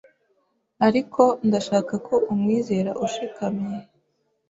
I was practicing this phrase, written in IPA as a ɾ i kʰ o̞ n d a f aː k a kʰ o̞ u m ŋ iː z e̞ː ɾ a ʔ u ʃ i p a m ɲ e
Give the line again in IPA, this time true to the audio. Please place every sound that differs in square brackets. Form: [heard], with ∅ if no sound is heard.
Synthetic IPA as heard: a ɾ i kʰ o̞ n d a [ʃ] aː k a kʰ o̞ u m ŋ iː z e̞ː ɾ a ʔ u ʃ i [k] a m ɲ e